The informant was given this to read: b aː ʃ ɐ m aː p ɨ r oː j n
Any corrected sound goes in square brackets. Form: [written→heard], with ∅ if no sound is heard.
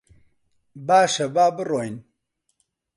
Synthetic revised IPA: b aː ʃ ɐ [m→b] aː [p→b] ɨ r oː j n